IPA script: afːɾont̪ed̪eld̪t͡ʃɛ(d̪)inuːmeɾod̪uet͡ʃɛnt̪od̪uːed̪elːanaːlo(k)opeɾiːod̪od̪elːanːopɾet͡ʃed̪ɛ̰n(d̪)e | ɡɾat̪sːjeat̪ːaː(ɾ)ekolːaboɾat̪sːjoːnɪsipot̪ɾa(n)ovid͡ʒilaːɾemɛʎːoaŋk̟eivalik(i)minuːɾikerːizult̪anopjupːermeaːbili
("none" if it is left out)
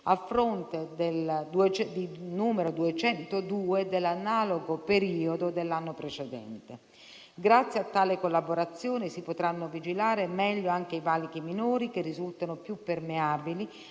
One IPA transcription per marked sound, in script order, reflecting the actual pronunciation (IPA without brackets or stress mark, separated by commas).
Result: d̪, ɡ, t̪, l, nː, i